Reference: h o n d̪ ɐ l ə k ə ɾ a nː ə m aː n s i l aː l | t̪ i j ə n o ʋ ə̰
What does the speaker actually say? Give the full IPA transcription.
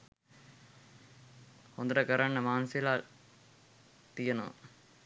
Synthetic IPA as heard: h o n d̪ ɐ ɾ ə k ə ɾ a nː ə m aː n s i l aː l | t̪ i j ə n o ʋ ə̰

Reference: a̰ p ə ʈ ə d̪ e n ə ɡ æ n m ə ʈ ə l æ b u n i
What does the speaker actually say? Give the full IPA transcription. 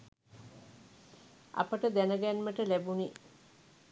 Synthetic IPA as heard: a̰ p ə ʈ ə d̪ æ n ə ɡ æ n m ə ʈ ə l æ b u n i

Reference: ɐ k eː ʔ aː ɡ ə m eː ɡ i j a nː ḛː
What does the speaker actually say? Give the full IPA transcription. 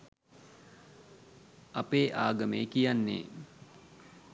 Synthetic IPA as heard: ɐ p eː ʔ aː ɡ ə m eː k i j a nː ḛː

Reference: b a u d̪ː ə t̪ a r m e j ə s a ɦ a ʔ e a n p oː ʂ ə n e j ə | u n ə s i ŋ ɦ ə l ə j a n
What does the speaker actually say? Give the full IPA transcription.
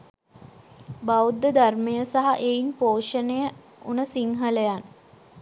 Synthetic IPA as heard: b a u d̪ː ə d̪ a r m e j ə s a ɦ a ʔ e i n p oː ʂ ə n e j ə | u n ə s i ŋ ɦ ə l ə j a n

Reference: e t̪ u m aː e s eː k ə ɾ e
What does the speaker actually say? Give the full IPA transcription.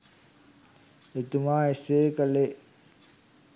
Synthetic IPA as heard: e t̪ u m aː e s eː k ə l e

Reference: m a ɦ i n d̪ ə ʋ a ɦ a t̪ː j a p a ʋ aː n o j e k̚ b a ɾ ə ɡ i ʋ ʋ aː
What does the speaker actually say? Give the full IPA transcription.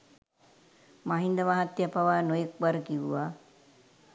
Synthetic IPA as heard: m a ɦ i n d̪ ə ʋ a ɦ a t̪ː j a p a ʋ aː n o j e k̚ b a ɾ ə k i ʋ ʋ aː

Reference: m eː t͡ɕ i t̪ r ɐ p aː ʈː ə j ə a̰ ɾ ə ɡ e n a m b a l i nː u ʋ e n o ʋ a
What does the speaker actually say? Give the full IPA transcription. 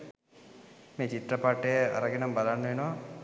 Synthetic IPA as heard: m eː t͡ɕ i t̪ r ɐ p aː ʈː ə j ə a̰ ɾ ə ɡ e n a m b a l a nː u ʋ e n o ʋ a

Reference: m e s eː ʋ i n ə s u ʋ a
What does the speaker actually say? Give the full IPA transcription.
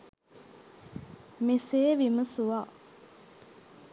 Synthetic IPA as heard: m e s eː ʋ i m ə s u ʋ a

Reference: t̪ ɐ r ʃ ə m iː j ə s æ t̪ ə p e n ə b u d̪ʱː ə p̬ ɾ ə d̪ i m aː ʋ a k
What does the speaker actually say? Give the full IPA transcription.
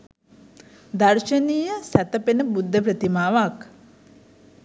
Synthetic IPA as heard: d̪ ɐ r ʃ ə n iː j ə s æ t̪ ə p e n ə b u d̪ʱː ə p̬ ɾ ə t̪ i m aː ʋ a k

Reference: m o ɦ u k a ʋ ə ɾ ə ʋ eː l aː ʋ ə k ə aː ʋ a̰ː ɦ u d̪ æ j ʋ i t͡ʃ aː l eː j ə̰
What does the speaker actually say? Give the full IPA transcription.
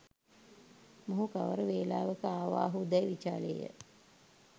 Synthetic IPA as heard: m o ɦ u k a ʋ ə ɾ ə ʋ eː l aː ʋ ə k ə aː ʋ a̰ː ɦ u d̪ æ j ʋ i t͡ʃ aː l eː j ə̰

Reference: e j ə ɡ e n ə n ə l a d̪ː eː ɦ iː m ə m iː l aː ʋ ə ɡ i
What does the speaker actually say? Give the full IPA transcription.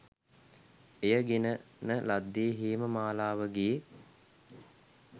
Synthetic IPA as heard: e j ə ɡ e n ə n ə l a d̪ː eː ɦ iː m ə m aː l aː ʋ ə ɡ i

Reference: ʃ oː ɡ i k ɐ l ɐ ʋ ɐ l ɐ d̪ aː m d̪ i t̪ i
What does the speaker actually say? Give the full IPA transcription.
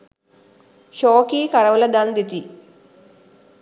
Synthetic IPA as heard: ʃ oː k i k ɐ ɾ ɐ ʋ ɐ l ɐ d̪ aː n d̪ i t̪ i

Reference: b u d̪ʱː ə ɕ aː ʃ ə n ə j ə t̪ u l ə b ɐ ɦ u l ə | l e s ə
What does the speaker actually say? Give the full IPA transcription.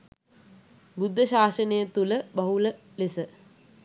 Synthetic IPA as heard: b u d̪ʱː ə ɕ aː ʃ ə n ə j ə t̪ u l ə b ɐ ɦ u l ə | l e s ə

